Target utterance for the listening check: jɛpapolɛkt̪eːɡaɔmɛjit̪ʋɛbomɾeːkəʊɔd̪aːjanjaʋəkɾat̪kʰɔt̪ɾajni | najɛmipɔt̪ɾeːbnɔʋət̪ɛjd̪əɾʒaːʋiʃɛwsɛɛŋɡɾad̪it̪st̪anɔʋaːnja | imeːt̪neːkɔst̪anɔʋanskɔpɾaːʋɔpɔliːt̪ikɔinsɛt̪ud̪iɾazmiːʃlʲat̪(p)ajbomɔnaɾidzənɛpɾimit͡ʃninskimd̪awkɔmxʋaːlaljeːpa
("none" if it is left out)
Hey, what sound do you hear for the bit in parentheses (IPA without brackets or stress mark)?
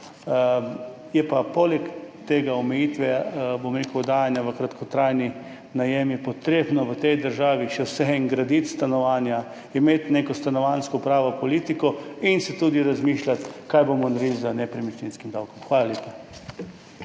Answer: k